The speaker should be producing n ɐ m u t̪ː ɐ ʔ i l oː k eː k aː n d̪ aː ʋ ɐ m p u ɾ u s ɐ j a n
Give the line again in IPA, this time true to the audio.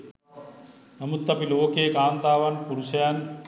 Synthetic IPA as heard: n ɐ m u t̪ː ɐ p i l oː k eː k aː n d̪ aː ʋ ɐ n p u ɾ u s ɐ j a n